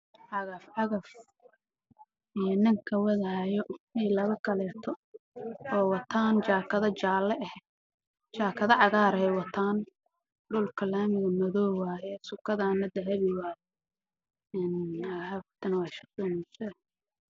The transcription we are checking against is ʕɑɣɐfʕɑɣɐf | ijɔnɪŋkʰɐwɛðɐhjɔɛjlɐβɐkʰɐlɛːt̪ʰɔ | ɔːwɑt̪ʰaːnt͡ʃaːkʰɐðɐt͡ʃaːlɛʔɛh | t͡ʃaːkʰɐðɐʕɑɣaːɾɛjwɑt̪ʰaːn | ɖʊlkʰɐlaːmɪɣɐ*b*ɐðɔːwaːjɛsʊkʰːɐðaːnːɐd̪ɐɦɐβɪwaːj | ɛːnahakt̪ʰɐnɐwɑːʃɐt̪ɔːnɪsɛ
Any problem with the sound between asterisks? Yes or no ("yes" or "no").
yes